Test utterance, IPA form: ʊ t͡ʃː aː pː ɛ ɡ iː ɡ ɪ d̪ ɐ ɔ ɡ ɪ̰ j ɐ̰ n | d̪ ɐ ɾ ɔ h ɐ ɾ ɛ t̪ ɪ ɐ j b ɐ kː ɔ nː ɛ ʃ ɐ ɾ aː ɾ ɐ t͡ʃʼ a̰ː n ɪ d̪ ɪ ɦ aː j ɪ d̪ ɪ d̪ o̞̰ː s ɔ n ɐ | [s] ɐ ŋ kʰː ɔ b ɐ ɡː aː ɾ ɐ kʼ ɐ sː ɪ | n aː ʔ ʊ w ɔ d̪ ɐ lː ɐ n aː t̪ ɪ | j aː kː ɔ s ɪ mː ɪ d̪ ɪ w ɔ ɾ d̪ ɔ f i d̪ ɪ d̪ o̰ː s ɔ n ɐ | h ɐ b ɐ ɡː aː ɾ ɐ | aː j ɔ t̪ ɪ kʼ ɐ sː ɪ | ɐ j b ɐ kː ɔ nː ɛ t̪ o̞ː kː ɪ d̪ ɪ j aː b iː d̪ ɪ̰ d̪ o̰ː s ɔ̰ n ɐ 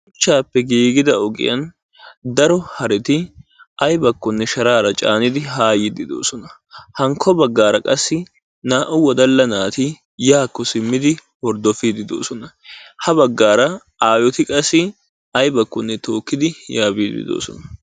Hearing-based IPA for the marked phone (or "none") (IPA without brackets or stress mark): h